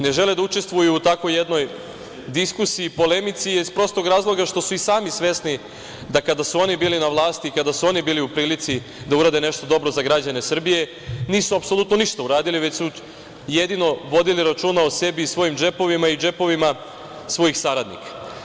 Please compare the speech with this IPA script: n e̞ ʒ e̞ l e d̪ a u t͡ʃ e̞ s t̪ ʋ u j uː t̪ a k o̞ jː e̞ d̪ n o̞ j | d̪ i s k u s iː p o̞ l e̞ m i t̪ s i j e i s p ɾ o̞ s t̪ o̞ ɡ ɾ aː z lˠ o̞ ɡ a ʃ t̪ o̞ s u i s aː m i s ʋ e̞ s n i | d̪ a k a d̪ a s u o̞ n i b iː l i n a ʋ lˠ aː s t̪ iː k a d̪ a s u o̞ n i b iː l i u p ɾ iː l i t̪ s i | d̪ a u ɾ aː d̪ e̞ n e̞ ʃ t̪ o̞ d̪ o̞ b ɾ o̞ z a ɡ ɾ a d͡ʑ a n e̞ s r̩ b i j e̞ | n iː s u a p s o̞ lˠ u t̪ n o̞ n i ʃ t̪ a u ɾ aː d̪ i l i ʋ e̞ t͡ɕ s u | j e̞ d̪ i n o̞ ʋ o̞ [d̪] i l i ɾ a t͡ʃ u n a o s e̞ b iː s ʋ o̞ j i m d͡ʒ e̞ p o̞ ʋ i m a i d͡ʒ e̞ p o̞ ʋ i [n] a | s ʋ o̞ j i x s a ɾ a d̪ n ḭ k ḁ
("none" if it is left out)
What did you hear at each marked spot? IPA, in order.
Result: d̪, m

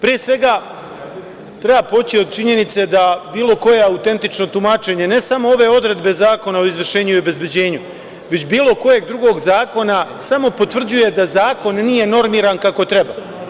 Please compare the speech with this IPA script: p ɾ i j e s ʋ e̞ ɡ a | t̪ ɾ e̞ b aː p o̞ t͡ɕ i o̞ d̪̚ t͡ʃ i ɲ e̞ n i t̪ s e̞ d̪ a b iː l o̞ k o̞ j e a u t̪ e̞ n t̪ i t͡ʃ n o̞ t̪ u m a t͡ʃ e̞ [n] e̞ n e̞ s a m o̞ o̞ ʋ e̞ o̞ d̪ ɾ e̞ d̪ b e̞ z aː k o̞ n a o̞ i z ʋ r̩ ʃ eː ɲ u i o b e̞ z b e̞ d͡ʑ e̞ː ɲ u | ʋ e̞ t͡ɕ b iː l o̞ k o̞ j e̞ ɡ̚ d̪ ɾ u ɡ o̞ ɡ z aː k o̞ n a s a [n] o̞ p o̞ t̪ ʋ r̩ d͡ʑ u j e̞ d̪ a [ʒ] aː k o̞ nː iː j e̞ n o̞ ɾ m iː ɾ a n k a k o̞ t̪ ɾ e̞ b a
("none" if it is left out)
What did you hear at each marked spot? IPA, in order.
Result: ɲ, m, z

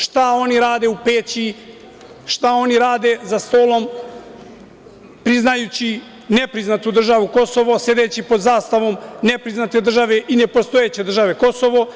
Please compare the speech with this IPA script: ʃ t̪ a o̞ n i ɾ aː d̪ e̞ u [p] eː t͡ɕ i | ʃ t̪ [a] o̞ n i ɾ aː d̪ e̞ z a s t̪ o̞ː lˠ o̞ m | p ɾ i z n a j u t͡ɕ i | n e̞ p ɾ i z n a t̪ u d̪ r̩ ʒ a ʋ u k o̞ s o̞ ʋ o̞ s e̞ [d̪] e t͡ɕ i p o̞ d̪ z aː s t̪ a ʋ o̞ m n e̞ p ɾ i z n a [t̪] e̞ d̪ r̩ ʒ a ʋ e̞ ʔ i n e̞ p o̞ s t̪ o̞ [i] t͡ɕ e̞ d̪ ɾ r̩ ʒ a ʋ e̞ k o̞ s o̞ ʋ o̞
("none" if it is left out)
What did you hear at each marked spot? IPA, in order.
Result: p, a, d̪, t̪, e

